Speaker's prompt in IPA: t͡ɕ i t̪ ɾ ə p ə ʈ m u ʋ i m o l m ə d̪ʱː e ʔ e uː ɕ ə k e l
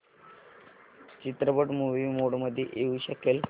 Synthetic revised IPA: t͡ɕ i t̪ ɾ ə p ə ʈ m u ʋ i m o ɽ m ə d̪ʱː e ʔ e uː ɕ ə k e l